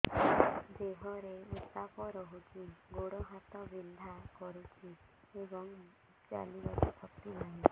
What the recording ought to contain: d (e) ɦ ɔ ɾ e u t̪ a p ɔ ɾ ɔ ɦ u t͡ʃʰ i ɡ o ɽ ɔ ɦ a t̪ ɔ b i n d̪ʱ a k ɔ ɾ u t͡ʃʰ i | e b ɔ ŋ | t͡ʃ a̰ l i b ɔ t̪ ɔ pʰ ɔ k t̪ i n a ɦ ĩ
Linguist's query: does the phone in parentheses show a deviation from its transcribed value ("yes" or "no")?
no